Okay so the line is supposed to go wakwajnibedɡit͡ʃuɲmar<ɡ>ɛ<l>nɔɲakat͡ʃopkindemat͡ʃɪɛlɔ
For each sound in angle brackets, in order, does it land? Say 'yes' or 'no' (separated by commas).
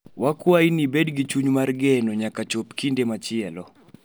yes, no